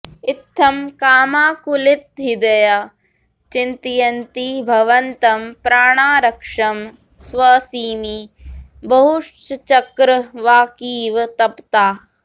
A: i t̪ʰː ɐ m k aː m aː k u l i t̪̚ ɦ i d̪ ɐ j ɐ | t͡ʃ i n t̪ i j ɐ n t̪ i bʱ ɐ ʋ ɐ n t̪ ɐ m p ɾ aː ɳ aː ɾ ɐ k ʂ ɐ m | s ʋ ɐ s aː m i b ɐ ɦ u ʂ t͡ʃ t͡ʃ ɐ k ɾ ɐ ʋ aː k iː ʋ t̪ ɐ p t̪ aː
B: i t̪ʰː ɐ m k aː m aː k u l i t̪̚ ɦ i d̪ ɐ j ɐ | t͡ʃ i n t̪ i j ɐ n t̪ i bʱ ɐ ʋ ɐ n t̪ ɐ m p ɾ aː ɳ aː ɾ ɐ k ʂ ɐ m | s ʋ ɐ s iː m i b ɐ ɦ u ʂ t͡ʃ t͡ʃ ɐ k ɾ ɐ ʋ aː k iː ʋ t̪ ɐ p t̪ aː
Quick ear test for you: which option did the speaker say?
B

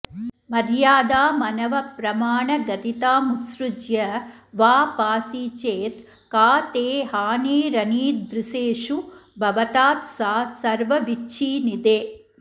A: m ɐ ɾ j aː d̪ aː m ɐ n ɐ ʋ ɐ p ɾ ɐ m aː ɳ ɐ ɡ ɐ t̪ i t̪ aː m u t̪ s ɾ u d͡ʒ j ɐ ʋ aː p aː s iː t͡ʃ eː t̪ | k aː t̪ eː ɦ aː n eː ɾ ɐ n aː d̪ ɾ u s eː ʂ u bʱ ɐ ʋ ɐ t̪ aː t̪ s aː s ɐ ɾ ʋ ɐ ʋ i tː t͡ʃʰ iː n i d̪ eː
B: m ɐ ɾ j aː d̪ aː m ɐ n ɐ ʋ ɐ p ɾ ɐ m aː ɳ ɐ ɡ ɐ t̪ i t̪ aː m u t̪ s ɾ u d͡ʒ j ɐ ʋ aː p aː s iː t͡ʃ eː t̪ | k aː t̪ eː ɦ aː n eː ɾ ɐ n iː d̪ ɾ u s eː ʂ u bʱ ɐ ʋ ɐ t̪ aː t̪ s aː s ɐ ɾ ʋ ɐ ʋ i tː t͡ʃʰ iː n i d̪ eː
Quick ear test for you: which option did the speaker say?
B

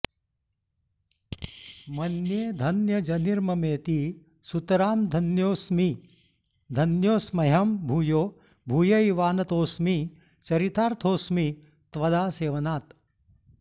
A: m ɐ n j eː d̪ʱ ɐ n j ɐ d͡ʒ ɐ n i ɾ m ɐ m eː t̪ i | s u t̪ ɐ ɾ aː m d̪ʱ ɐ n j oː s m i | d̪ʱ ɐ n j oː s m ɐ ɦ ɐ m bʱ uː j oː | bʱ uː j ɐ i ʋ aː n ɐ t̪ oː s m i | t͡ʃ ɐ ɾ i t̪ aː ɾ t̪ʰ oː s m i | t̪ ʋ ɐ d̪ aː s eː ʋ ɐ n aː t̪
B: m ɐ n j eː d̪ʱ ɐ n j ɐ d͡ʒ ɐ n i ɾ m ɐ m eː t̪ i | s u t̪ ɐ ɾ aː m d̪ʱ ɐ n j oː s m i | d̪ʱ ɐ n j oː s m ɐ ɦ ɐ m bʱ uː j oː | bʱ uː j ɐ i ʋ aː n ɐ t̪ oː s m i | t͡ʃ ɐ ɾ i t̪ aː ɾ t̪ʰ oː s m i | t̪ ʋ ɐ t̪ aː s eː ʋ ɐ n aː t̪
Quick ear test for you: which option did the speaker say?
A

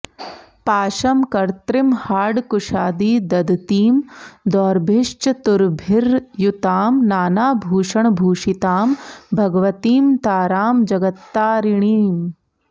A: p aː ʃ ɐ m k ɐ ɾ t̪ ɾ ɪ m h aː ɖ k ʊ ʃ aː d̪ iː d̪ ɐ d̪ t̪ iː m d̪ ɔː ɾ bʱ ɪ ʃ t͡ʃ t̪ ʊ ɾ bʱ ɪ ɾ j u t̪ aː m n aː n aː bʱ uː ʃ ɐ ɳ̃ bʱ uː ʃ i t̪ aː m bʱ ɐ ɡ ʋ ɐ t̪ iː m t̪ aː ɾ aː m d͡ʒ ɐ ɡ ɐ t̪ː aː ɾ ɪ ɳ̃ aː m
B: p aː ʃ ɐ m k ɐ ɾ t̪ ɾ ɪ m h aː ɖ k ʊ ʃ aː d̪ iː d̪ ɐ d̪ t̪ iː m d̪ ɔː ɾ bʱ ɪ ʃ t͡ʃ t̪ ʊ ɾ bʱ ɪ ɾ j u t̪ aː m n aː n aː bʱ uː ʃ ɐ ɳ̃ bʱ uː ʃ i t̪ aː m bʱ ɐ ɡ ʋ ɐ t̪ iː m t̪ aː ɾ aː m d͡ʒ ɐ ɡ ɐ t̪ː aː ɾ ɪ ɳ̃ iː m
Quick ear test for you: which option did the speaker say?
B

